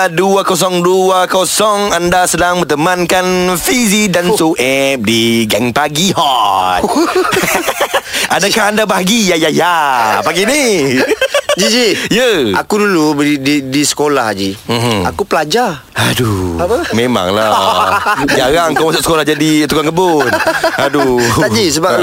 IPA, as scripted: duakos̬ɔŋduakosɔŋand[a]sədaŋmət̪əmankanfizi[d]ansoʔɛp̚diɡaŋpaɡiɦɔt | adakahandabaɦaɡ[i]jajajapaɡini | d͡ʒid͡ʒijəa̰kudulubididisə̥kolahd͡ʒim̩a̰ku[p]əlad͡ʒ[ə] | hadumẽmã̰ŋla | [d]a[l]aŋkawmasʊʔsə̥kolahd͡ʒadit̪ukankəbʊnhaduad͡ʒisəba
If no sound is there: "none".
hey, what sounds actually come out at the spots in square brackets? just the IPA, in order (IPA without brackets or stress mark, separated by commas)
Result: a, d, i, p, a, d͡ʒ, ɾ